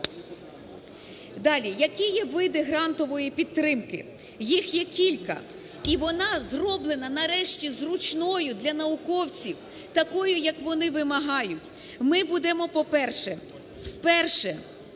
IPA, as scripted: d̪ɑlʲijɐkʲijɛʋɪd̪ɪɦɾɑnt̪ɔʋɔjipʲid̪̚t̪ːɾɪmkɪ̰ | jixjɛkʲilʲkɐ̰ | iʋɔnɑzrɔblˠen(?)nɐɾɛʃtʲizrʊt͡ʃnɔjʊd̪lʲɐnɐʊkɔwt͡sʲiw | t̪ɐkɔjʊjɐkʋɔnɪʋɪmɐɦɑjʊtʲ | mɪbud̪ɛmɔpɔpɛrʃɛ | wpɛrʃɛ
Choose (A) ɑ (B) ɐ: B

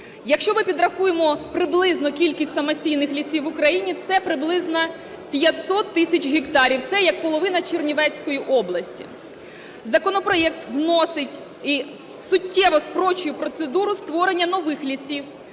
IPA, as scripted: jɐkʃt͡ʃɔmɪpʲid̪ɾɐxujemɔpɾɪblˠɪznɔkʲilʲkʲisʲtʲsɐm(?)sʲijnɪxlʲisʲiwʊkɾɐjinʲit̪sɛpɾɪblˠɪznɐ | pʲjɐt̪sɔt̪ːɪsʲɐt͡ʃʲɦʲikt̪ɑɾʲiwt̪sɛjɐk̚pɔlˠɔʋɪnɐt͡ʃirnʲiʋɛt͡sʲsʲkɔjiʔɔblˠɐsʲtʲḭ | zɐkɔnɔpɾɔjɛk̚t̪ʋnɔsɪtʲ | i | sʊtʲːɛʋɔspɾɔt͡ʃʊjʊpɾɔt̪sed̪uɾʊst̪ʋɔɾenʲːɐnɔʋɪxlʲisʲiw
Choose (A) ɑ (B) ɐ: B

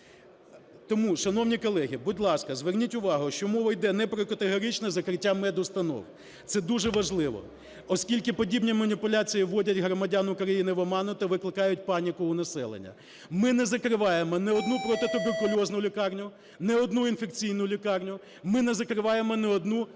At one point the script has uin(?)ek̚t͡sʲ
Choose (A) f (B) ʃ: A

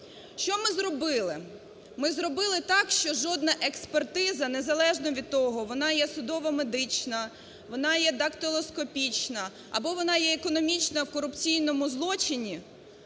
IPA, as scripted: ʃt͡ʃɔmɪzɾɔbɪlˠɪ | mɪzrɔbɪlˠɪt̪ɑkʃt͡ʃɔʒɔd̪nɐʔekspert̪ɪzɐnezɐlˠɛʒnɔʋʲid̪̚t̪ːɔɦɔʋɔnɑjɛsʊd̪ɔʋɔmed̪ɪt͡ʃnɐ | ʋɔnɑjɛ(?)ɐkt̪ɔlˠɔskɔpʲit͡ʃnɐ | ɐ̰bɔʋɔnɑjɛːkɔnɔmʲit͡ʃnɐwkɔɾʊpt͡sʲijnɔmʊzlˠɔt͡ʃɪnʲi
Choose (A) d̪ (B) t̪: A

